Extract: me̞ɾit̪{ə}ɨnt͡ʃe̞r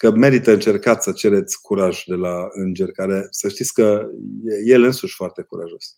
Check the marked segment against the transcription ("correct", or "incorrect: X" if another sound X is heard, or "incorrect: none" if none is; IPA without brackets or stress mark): correct